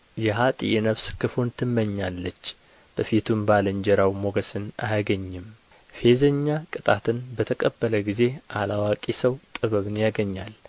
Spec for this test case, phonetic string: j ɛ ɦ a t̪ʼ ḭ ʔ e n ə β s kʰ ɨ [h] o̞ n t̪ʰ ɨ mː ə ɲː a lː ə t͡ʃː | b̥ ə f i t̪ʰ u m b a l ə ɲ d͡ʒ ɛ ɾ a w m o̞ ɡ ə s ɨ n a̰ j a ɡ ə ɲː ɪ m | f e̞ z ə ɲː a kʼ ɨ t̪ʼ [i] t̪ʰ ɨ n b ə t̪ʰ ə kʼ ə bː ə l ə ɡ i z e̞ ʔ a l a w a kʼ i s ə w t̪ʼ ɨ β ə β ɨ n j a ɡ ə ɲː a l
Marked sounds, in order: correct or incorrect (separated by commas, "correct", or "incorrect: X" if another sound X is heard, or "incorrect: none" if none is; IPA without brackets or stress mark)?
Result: incorrect: f, incorrect: a